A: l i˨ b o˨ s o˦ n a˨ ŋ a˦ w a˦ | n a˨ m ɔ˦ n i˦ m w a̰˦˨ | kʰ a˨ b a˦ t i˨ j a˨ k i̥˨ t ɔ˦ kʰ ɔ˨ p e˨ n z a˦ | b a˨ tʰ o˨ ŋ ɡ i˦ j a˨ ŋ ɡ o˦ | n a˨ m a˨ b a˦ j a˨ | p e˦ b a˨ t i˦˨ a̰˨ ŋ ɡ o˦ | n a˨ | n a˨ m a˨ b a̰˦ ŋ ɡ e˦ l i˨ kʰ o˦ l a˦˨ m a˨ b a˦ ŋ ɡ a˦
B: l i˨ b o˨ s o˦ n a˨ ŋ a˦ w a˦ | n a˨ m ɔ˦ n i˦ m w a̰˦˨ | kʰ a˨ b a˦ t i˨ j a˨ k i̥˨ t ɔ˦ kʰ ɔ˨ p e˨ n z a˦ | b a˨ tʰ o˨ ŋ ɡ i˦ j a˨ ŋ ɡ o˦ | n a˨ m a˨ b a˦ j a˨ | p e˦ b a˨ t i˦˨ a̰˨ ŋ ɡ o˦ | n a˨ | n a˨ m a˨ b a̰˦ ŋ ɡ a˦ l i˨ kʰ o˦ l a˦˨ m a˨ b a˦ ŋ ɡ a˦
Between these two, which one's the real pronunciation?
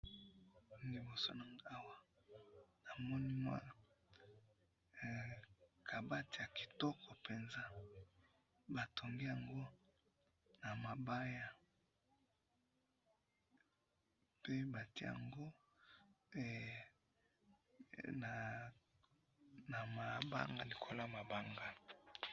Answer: B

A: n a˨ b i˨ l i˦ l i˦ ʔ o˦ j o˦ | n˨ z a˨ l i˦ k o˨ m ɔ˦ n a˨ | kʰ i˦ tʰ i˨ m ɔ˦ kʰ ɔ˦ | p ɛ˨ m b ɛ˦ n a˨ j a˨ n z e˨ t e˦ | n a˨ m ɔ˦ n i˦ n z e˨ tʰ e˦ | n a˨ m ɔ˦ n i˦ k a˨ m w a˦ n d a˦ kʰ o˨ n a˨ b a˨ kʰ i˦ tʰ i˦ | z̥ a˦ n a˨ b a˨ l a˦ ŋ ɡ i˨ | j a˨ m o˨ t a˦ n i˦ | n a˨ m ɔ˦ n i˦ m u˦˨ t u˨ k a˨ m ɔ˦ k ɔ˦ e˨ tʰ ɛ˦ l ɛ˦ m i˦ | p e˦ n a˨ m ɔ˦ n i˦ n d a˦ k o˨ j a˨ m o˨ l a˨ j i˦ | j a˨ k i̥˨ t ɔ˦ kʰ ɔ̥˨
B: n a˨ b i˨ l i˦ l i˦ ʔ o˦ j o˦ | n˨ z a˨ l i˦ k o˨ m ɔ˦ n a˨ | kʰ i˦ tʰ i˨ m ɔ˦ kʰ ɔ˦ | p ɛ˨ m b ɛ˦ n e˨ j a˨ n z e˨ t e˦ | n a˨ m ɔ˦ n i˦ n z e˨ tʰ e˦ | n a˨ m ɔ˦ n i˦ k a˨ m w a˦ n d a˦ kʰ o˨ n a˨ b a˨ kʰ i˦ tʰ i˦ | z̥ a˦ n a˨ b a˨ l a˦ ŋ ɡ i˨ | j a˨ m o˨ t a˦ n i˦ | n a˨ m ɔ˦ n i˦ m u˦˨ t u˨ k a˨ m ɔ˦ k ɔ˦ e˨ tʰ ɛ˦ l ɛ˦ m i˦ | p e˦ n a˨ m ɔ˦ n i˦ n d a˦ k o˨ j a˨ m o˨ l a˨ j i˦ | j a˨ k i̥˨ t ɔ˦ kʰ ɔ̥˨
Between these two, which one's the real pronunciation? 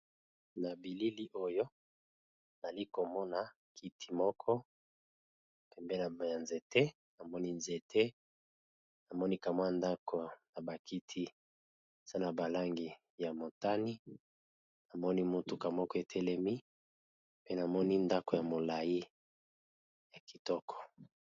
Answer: A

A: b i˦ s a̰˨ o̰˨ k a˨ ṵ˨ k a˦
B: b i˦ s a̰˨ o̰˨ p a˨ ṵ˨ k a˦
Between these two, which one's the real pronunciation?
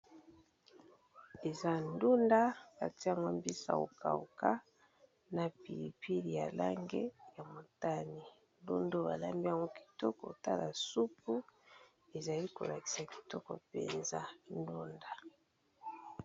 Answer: A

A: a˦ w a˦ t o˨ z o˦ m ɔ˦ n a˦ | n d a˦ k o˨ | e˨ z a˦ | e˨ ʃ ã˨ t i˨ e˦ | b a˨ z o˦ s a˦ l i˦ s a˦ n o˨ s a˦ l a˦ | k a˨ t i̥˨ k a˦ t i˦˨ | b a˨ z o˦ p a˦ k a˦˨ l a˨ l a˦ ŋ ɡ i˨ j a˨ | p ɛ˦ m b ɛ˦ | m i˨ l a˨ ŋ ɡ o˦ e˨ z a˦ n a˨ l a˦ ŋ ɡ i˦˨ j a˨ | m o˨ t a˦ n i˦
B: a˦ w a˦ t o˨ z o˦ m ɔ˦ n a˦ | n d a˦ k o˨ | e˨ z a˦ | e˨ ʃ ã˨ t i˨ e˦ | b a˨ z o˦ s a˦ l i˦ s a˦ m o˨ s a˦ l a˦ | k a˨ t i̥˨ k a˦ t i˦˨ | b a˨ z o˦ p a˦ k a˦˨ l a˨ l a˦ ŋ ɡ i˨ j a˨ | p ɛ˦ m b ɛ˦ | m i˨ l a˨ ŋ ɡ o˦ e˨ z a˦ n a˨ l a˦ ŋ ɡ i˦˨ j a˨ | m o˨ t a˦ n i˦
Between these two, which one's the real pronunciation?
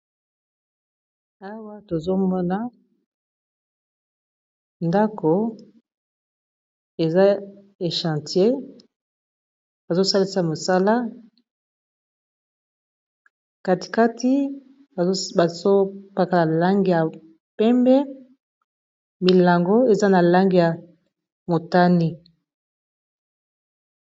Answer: B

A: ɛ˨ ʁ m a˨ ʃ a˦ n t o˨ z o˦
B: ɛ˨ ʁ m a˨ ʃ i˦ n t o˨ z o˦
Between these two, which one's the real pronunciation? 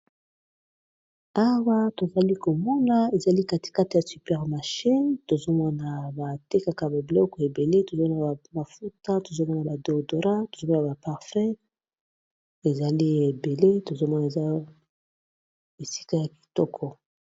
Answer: B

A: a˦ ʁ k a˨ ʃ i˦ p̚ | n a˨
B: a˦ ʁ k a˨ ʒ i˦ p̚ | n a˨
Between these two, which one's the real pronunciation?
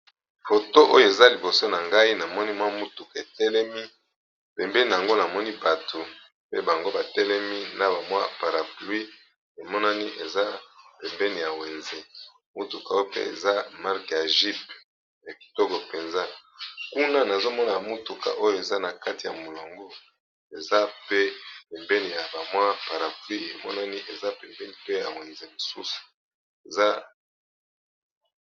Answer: B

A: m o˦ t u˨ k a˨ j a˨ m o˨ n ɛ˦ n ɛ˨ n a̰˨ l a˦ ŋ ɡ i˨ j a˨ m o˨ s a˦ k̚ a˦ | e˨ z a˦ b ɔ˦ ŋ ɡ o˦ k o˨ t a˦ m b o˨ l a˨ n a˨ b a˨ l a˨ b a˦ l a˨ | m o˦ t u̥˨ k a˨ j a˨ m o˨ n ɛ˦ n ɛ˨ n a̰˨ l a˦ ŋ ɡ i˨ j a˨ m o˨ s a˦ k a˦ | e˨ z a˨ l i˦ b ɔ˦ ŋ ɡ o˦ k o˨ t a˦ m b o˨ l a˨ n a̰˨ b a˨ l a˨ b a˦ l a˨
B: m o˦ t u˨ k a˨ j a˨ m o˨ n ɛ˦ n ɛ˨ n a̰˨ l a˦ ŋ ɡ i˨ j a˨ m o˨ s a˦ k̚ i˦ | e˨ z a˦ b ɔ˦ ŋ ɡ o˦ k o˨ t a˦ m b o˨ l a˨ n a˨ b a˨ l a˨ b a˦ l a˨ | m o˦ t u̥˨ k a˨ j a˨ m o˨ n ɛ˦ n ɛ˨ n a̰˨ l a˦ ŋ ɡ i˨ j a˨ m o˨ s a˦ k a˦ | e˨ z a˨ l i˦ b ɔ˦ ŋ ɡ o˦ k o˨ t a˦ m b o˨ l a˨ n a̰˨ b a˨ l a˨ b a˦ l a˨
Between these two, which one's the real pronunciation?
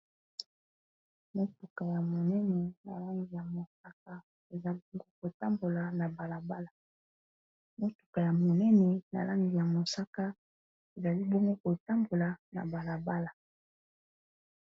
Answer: A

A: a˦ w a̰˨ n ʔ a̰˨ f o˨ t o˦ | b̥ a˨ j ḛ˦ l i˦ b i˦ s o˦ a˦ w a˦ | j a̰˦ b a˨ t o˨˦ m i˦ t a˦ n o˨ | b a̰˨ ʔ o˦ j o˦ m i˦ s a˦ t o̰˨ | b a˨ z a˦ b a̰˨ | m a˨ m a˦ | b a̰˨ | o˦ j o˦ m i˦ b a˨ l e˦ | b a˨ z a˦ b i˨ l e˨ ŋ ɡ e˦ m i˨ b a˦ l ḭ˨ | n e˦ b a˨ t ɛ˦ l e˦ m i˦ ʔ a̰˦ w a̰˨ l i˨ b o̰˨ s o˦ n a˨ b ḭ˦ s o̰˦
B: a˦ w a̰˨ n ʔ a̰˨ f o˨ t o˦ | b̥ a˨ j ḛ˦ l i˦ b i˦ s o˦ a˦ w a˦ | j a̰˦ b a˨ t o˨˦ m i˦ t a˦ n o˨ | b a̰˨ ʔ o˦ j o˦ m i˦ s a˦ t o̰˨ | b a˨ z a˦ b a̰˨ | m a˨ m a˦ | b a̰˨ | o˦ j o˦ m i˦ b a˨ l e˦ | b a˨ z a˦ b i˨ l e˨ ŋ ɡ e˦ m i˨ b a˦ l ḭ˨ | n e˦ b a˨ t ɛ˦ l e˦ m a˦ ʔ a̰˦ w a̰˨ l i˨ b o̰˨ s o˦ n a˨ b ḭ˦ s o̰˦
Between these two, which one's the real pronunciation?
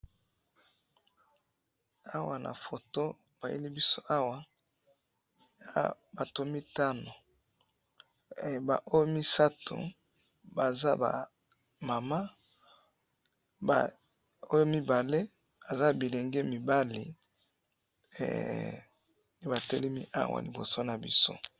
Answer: A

